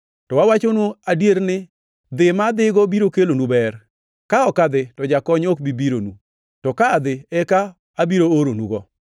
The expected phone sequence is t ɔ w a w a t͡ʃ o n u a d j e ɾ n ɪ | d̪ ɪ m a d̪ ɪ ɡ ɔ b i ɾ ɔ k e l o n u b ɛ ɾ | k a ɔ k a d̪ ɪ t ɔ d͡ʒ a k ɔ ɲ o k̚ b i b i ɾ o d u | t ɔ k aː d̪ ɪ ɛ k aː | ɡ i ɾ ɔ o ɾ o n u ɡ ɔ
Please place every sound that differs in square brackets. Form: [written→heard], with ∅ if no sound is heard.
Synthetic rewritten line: t ɔ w a w a t͡ʃ o n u a d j e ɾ n ɪ | d̪ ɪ m a d̪ ɪ ɡ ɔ b i ɾ [ɔ→o] k e l o n u b ɛ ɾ | k a ɔ k a d̪ ɪ t ɔ d͡ʒ a k ɔ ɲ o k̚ b i b i ɾ o [d→n] u | t ɔ k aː d̪ ɪ ɛ k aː | [ɡ→b] i ɾ [ɔ→o] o ɾ o n u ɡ ɔ

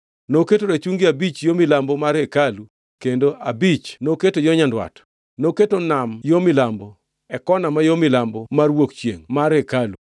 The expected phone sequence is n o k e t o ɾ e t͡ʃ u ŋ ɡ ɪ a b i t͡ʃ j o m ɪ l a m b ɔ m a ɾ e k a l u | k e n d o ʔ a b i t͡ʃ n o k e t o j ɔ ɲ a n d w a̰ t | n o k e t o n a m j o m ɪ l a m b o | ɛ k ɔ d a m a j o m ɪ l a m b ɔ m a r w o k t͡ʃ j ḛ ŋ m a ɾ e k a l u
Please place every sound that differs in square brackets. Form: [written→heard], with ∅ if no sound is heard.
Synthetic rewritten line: n o k e t o ɾ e t͡ʃ u ŋ ɡ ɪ a b i t͡ʃ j o m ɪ l a m b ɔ m a ɾ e k a l u | k e n d o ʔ a b i t͡ʃ n o k e t o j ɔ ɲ a n d w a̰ t | n o k e t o n a m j o m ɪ l a m b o | ɛ k ɔ [d→n] a m a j o m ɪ l a m b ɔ m a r w o k t͡ʃ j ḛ ŋ m a ɾ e k a l u

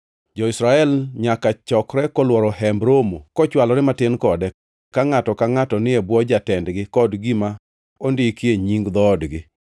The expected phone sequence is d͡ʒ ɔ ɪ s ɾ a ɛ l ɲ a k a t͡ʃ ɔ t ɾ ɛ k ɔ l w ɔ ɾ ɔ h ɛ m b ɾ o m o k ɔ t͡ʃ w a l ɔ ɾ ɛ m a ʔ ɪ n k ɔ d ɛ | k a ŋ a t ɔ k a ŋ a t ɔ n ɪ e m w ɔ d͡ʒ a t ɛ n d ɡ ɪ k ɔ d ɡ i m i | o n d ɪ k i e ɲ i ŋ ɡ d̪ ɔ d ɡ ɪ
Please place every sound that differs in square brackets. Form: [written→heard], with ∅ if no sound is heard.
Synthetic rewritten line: d͡ʒ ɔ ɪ s ɾ a ɛ l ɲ a k a t͡ʃ ɔ [t→k] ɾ ɛ k ɔ l w ɔ ɾ ɔ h ɛ m b ɾ o m o k ɔ t͡ʃ w a l ɔ ɾ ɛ m a [ʔ→t] ɪ n k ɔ d ɛ | k a ŋ a t ɔ k a ŋ a t ɔ n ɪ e [m→b] w ɔ d͡ʒ a t ɛ n d ɡ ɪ k ɔ d ɡ i m [i→a] | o n d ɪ k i e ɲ i ŋ ɡ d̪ ɔ d ɡ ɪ

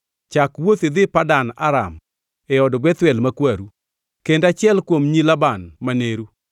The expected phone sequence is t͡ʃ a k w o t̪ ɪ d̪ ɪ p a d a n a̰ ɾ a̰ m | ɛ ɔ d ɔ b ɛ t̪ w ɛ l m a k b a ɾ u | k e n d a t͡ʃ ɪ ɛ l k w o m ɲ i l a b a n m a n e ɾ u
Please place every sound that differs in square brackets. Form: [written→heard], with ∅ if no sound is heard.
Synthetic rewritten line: t͡ʃ a k w o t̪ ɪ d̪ ɪ p a d a n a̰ ɾ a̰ m | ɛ ɔ d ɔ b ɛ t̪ w ɛ l m a k [b→w] a ɾ u | k e n d a t͡ʃ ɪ ɛ l k w o m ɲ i l a b a n m a n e ɾ u

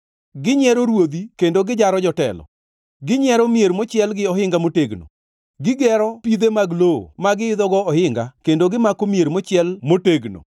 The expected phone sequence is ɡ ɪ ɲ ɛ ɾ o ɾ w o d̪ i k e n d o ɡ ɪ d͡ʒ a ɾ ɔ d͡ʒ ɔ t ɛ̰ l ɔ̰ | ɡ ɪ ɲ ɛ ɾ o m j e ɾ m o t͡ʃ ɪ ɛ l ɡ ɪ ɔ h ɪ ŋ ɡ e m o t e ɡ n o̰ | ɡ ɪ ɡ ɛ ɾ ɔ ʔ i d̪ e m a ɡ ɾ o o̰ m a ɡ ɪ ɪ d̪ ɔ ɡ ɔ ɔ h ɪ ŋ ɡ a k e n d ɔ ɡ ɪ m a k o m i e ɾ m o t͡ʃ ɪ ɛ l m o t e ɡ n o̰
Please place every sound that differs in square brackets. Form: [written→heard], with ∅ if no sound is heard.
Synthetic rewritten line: ɡ ɪ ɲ ɛ ɾ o ɾ w o d̪ i k e n d o ɡ ɪ d͡ʒ a ɾ ɔ d͡ʒ ɔ t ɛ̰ l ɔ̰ | ɡ ɪ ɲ ɛ ɾ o m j e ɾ m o t͡ʃ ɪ ɛ l ɡ ɪ ɔ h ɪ ŋ ɡ [e→a] m o t e ɡ n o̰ | ɡ ɪ ɡ ɛ ɾ ɔ [ʔ→p] i d̪ e m a ɡ [ɾ→l] o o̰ m a ɡ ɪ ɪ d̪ ɔ ɡ ɔ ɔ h ɪ ŋ ɡ a k e n d [ɔ→o] ɡ ɪ m a k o m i e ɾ m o t͡ʃ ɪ ɛ l m o t e ɡ n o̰

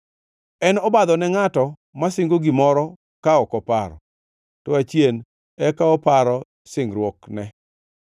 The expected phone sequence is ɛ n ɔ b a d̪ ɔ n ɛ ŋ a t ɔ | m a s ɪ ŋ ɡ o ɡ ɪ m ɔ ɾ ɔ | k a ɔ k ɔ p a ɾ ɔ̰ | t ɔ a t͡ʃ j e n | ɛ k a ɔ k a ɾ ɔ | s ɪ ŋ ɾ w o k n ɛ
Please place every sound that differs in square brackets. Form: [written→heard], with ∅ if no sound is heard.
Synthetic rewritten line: ɛ n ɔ b a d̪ ɔ n ɛ ŋ a t ɔ | m a s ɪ ŋ ɡ o ɡ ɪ m ɔ ɾ ɔ | k a ɔ k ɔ p a ɾ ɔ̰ | t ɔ a t͡ʃ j e n | ɛ k a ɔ [k→p] a ɾ ɔ | s ɪ ŋ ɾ w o k n ɛ

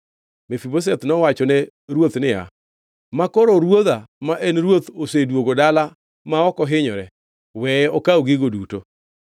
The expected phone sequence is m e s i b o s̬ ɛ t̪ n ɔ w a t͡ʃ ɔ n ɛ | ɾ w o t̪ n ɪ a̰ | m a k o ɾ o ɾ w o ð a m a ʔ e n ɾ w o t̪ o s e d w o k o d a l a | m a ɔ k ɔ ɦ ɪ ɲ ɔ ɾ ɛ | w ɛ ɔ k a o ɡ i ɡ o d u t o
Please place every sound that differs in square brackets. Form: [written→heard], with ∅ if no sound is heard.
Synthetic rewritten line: m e [s→f] i b o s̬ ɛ t̪ n ɔ w a t͡ʃ ɔ n ɛ | ɾ w o t̪ n ɪ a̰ | m a k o ɾ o ɾ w o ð a m a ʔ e n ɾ w o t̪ o s e d w o [k→ɡ] o d a l a | m a ɔ k ɔ ɦ ɪ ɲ ɔ ɾ ɛ | w ɛ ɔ k a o ɡ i ɡ o d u t o

